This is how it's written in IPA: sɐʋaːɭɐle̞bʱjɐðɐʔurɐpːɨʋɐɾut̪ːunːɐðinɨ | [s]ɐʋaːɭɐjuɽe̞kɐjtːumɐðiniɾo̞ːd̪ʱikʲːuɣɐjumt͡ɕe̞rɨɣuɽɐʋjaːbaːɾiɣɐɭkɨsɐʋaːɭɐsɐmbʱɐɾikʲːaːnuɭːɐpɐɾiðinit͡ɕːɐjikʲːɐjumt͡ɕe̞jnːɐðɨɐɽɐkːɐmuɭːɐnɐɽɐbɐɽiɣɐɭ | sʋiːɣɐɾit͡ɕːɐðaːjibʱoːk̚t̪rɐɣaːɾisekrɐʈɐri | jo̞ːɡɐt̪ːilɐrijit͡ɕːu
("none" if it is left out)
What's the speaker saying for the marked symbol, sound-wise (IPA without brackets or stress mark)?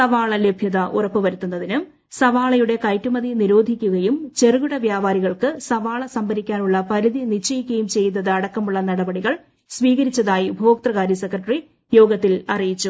s